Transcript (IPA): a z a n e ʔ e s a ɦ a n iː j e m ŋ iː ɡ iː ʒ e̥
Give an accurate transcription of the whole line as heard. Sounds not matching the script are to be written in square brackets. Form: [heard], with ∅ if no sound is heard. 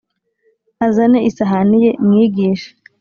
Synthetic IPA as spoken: a z a n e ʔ [i] s a ɦ a n [i] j e m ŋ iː ɡ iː [ʃ] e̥